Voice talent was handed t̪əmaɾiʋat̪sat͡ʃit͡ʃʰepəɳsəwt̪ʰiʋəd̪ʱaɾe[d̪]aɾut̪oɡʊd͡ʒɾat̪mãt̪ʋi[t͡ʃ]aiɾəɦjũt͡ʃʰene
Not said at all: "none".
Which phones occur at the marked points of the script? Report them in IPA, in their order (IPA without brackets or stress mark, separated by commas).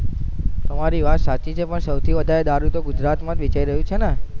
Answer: d̪, t͡ʃ